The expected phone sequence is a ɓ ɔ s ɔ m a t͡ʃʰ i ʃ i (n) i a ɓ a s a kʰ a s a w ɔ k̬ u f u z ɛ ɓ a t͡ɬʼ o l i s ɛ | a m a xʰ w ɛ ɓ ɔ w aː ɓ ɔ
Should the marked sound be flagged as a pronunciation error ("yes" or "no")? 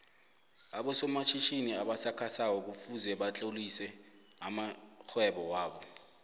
no